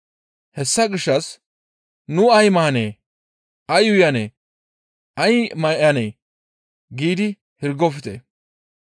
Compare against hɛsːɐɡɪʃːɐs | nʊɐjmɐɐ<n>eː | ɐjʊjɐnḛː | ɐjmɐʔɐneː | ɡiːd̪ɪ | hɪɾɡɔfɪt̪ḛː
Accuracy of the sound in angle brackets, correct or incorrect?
correct